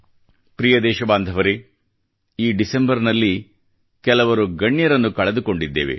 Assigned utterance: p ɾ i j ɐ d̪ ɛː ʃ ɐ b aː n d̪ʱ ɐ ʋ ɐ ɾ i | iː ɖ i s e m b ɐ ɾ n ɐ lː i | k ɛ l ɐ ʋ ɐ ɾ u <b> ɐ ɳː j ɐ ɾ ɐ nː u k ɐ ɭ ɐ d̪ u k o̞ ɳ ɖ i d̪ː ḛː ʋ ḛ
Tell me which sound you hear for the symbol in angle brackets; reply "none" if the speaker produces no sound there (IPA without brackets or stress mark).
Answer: ɡ